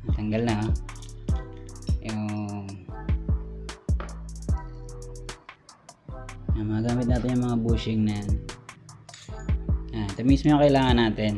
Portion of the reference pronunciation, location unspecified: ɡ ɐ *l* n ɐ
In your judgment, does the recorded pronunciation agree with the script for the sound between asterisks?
yes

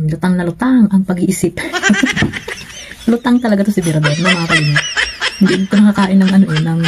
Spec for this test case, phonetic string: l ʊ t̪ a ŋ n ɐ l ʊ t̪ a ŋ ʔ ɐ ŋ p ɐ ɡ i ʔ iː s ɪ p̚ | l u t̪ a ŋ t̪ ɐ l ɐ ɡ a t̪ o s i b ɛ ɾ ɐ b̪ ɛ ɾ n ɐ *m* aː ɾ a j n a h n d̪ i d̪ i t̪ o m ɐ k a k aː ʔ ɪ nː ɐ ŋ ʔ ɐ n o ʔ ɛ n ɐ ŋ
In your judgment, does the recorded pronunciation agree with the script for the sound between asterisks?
yes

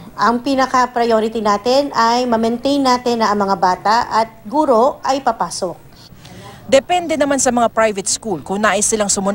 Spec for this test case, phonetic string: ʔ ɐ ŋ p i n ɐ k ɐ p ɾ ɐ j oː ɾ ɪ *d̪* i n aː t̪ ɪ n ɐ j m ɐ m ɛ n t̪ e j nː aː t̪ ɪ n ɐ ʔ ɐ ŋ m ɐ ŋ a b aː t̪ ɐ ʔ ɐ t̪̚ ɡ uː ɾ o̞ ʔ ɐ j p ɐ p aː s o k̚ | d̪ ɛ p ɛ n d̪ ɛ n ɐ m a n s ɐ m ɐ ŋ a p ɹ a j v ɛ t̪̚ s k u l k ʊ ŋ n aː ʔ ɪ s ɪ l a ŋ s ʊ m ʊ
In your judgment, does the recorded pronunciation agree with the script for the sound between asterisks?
no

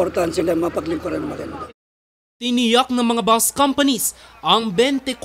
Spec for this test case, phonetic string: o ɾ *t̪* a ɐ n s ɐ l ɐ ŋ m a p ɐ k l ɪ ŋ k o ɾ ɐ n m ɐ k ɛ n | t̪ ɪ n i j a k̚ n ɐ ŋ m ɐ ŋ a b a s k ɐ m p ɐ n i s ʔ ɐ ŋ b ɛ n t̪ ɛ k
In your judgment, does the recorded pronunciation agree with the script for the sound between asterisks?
yes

